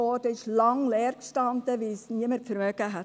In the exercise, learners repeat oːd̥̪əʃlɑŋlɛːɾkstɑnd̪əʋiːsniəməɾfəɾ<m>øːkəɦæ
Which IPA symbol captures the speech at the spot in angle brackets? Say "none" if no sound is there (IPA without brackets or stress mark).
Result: m